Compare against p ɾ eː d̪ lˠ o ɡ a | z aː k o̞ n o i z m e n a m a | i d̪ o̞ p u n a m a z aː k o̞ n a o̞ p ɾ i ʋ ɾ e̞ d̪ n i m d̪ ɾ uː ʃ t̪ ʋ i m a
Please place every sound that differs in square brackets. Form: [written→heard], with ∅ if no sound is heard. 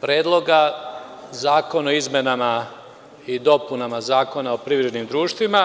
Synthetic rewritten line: p ɾ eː d̪ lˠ o ɡ a | z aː k o̞ n o i z m e n a m a | i d̪ o̞ p u n a m a z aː k o̞ n a o̞ p ɾ i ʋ ɾ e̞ d̪ n i m d̪ ɾ uː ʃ t̪ ʋ i m a